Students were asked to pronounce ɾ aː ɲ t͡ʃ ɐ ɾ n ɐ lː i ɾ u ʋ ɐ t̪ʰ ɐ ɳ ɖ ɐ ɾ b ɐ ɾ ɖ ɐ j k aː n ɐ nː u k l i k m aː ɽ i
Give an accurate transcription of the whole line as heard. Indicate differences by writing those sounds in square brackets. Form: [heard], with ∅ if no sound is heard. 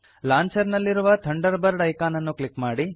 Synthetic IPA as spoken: [l] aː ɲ t͡ʃ ɐ ɾ n ɐ lː i ɾ u ʋ ɐ t̪ʰ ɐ ɳ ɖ ɐ ɾ b ɐ ɾ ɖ ɐ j k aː n ɐ nː u k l i k m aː ɽ i